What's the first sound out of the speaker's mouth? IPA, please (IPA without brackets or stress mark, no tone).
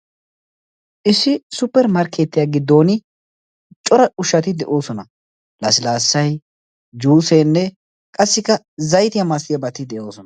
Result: ʔ